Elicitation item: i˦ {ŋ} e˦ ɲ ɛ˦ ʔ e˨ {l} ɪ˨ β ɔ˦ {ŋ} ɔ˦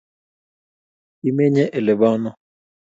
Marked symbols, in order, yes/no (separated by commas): no, yes, no